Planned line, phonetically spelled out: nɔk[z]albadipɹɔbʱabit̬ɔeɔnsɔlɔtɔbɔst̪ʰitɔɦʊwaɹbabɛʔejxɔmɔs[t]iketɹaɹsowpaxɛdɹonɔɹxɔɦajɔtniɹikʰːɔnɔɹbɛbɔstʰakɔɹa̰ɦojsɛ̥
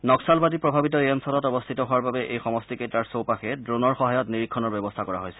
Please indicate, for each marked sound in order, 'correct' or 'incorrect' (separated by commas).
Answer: incorrect, correct